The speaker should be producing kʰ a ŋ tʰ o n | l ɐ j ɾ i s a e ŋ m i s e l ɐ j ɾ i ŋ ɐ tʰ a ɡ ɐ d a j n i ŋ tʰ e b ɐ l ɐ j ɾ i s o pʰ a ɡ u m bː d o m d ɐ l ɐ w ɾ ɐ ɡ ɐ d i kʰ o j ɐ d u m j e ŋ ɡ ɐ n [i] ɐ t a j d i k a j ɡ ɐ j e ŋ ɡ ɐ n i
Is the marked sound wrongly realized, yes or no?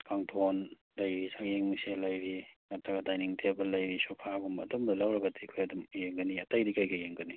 no